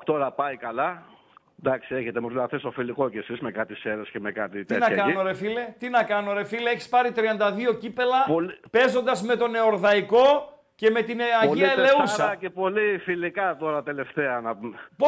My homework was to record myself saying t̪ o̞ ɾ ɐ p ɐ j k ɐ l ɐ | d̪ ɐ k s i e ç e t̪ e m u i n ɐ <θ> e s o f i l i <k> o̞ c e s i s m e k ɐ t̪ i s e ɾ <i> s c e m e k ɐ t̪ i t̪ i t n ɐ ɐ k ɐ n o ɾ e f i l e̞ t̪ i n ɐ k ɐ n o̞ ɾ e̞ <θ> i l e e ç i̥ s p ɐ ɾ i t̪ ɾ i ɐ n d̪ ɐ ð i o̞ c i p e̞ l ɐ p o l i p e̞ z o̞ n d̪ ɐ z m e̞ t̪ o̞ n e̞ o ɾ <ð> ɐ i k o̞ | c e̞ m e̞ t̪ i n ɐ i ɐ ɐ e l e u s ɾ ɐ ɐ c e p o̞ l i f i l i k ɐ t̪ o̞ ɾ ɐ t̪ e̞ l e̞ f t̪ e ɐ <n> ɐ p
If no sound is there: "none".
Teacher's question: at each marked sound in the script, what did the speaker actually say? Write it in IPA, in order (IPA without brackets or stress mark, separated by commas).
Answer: θ, k, e, f, ð, n